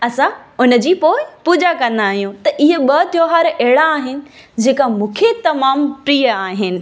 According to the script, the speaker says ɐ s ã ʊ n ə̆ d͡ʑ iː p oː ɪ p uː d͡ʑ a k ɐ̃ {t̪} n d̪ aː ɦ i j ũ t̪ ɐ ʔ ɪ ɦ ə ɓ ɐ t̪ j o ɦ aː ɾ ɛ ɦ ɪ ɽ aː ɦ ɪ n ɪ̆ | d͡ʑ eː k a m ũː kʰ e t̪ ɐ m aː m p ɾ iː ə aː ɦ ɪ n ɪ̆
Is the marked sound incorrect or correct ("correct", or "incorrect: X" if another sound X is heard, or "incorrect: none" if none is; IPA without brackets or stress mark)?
incorrect: none